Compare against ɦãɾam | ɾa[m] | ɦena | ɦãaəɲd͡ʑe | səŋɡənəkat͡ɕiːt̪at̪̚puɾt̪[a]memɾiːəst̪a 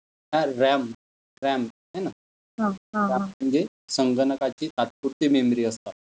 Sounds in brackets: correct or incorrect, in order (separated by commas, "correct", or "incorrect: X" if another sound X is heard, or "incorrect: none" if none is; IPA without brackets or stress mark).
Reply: correct, incorrect: i